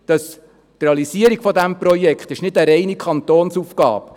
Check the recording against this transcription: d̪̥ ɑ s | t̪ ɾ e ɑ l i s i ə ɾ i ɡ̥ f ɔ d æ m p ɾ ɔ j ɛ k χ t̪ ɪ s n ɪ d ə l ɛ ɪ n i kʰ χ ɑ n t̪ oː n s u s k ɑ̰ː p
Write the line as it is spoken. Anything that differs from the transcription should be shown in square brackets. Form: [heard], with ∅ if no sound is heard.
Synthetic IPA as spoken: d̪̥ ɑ s | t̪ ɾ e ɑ l i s i ə ɾ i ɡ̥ f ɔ d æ m p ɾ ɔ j ɛ k χ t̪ ɪ [ʃ] n ɪ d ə [ɾ] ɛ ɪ n i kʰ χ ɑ n t̪ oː n s u [f] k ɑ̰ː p